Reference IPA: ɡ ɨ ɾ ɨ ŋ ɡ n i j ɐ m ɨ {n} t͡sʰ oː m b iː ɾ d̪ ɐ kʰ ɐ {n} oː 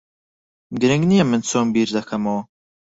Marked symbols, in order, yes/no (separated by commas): yes, no